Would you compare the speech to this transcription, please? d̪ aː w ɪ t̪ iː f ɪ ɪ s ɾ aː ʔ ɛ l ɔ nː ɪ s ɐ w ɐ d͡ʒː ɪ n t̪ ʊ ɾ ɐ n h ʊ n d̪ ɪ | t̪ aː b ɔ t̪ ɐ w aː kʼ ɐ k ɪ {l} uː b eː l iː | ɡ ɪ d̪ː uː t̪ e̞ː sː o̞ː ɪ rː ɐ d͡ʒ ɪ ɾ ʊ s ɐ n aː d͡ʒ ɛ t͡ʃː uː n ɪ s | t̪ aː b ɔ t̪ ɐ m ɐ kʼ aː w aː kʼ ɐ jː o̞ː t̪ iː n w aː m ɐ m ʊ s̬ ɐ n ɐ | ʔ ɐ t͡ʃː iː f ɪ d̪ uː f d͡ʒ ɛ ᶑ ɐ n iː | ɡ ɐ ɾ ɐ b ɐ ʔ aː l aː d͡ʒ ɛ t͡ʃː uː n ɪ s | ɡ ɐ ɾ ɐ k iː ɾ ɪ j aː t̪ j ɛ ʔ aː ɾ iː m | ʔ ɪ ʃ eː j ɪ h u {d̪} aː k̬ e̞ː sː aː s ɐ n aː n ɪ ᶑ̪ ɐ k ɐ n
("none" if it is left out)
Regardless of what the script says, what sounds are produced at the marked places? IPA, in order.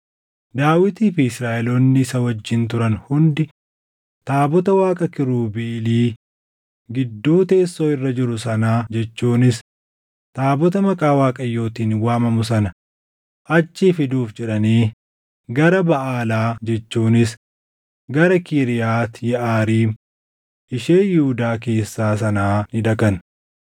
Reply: ɾ, d̪

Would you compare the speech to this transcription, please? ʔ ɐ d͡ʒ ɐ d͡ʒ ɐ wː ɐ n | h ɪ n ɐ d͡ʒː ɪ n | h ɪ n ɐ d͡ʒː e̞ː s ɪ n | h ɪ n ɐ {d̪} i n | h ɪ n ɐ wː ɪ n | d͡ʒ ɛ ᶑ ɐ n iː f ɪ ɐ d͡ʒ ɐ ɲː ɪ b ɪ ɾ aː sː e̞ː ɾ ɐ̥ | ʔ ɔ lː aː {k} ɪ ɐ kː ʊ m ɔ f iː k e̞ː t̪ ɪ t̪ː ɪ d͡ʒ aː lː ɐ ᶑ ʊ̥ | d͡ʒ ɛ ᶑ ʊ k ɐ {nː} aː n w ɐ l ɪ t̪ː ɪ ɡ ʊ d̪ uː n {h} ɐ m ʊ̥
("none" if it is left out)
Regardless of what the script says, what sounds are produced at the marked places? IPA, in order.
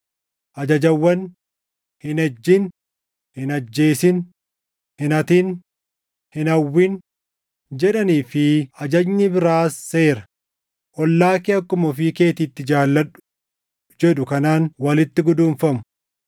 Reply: t̪, k, n, f

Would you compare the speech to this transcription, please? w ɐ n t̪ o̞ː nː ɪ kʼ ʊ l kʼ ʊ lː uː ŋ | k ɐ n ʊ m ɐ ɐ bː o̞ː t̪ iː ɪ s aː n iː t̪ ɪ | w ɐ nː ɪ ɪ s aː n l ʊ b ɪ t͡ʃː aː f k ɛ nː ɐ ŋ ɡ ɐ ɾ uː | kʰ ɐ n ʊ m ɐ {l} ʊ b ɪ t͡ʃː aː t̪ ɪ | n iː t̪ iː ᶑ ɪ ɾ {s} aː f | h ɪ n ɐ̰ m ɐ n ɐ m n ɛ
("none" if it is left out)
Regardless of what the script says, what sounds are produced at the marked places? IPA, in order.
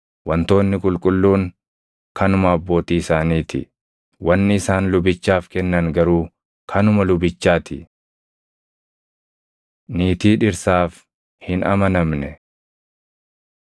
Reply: l, s

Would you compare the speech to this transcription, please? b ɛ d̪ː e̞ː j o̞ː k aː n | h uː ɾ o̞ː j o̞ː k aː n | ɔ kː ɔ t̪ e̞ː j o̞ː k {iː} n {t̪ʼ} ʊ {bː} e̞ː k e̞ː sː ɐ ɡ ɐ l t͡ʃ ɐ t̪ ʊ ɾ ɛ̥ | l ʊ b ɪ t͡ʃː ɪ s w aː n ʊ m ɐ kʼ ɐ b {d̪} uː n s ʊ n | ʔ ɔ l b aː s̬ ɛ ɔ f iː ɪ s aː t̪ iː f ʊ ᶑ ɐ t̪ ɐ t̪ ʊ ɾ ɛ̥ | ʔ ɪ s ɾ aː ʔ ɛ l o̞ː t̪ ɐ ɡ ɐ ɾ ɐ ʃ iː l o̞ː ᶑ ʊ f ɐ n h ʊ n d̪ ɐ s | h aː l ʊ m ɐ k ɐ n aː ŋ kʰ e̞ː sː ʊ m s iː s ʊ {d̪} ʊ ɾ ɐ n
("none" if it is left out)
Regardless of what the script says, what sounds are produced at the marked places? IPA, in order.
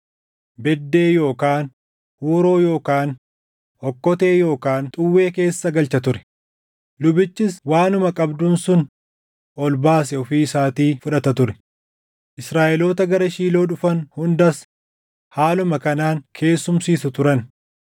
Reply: aː, t̪ʼ, wː, d̪, t̪

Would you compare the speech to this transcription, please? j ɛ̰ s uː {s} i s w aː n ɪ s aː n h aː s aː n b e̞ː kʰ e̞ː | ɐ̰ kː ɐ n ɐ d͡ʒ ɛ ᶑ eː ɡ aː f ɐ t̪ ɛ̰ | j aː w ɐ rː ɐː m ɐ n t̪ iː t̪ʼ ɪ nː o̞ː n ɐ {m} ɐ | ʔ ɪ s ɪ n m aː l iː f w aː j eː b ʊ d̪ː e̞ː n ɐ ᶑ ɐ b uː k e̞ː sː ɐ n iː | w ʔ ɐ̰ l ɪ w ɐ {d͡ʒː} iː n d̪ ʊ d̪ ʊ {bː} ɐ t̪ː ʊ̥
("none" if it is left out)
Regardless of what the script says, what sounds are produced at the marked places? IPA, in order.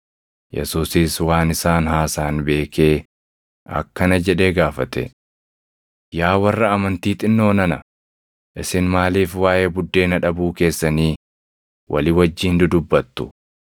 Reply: s, n, d͡ʒː, bː

